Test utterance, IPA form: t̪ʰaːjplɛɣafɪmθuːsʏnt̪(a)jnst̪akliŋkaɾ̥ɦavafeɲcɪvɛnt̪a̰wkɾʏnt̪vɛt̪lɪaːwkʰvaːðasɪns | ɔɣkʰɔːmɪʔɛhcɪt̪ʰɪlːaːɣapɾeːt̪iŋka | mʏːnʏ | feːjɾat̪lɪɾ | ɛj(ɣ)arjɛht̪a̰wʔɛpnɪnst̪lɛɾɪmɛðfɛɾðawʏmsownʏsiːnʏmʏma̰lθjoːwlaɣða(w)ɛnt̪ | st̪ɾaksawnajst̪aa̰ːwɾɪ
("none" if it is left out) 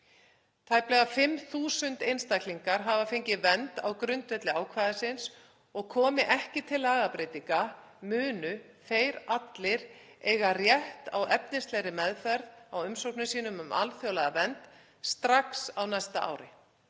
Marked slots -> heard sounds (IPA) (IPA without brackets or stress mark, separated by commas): e, ɣ, v